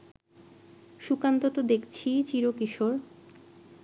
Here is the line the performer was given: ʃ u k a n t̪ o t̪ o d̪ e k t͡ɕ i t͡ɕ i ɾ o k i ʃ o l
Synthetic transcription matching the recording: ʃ u k a n t̪ o t̪ o d̪ e k t͡ɕʰ i t͡ɕ i ɾ o k i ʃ o ɾ